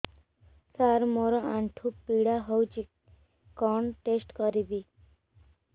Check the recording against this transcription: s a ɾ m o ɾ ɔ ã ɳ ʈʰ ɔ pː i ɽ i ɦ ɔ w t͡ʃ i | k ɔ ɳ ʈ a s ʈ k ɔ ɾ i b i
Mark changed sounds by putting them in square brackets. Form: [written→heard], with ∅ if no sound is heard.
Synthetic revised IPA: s a ɾ m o ɾ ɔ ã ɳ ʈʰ [ɔ→u] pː i ɽ [i→a] ɦ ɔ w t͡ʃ i | k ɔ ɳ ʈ [a→e] s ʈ k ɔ ɾ i b i

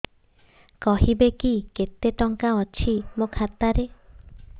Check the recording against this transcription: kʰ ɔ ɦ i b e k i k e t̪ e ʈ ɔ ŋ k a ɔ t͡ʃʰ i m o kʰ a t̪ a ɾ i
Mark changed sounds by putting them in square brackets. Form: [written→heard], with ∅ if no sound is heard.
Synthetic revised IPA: [kʰ→k] ɔ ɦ i b e k i k e t̪ e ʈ ɔ ŋ k a ɔ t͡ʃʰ i m o kʰ a t̪ a ɾ [i→e]

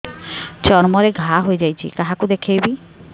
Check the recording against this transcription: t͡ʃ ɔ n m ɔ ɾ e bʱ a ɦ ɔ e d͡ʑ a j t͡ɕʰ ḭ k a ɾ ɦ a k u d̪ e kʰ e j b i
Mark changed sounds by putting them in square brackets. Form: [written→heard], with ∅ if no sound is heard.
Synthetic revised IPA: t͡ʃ ɔ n m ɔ ɾ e [bʱ→ɡʱ] a ɦ [ɔ→o] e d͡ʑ a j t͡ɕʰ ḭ k a [ɾ→∅] ɦ a k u d̪ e kʰ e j b i

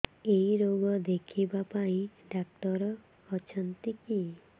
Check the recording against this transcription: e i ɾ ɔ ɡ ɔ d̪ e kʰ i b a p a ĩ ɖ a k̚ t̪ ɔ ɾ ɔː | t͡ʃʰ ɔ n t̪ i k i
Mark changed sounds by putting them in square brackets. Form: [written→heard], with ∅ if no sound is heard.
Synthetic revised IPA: e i ɾ [ɔ→o] ɡ ɔ d̪ e kʰ i b a p a ĩ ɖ a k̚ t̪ ɔ ɾ ɔː | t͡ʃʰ ɔ n t̪ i k i

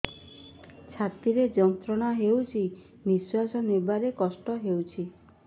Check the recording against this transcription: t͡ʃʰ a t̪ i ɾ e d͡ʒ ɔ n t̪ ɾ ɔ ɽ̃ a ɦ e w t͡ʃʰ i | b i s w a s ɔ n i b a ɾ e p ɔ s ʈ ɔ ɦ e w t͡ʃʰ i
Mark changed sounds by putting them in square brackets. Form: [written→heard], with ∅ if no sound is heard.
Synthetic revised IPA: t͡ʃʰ a t̪ i ɾ e d͡ʒ ɔ n t̪ ɾ ɔ ɽ̃ a ɦ e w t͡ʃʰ i | b i s w a s ɔ n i b a ɾ e [p→k] ɔ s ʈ ɔ ɦ e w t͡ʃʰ i

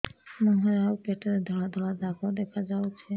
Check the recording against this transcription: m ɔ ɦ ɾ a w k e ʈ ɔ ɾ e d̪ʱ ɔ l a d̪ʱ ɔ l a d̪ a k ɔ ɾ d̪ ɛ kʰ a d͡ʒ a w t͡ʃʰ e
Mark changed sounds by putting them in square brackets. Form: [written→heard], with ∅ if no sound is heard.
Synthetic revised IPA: m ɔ ɦ ɾ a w k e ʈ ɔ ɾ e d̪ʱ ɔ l a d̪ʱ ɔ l a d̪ a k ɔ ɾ d̪ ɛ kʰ a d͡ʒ a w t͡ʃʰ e

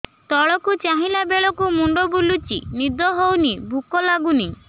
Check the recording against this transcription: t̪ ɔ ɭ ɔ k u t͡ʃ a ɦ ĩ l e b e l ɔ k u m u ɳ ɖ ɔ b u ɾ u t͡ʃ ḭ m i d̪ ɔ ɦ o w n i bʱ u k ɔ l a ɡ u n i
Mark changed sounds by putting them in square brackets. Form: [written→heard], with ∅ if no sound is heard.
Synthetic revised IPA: t̪ ɔ ɭ ɔ k u t͡ʃ a ɦ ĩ l [e→a] b e [l→ɭ] ɔ k u m u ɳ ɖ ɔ b u [ɾ→l] u t͡ʃ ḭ [m→n] i d̪ ɔ ɦ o w n i bʱ u k ɔ l a ɡ u n i

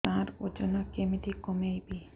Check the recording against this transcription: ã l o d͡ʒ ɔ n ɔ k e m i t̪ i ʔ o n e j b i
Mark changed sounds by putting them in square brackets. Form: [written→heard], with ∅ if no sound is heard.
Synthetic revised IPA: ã [l→ɾ] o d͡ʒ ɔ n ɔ k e m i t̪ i [ʔ→k] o [n→m] e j b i

